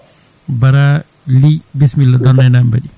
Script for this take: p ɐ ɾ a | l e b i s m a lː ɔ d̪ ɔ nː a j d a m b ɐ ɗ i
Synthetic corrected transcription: b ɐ ɾ a | l i b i s m i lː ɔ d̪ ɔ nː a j n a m b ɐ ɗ i